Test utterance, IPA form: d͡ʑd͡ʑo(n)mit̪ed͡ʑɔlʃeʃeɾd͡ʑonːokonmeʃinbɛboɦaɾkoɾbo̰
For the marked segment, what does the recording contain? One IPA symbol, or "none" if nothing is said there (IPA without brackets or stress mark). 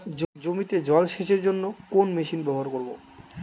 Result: none